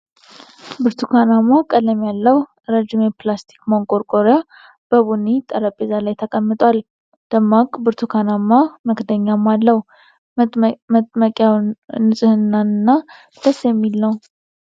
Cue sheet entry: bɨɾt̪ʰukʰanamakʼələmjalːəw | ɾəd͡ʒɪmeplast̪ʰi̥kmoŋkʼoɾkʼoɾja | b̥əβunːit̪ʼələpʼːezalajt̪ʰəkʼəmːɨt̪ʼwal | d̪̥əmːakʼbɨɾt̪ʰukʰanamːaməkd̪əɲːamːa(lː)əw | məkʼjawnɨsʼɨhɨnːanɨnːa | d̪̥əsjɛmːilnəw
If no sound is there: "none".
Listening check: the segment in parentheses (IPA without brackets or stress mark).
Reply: lː